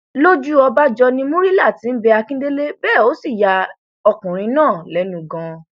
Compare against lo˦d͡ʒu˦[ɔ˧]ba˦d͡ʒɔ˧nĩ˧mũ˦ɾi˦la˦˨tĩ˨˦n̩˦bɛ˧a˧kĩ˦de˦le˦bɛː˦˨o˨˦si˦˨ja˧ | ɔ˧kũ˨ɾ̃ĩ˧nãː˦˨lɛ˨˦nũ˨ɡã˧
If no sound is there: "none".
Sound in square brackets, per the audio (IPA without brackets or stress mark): ɔ˧